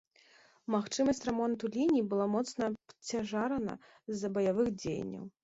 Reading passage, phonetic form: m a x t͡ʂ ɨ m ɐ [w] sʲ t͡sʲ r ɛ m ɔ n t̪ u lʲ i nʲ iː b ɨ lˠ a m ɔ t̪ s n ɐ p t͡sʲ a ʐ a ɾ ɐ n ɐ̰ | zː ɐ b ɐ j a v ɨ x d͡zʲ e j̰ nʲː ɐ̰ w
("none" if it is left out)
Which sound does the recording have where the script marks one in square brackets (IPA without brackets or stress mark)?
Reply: none